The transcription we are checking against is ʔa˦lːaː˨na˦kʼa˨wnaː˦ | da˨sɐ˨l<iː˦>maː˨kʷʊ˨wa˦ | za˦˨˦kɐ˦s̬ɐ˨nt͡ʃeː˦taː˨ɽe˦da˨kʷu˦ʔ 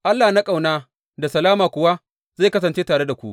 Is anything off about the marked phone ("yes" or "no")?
yes